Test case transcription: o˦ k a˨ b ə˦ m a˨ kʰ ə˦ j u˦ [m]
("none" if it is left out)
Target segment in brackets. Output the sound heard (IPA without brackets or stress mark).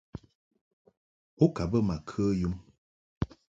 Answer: m